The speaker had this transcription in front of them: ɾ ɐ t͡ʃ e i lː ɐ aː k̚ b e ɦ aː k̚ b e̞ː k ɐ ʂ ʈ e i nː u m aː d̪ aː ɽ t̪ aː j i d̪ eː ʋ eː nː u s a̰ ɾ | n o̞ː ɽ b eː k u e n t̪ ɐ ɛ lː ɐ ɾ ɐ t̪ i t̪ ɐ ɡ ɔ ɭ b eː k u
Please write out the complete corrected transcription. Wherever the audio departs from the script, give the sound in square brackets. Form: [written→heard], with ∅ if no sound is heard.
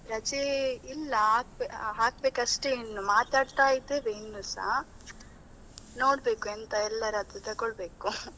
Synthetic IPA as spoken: ɾ ɐ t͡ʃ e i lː ɐ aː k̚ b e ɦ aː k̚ b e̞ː k ɐ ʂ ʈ e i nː u m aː [d̪→t̪] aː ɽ t̪ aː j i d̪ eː ʋ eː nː u s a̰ [ɾ→∅] | n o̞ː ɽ b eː k u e n t̪ ɐ ɛ lː ɐ ɾ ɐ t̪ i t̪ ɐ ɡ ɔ ɭ b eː k u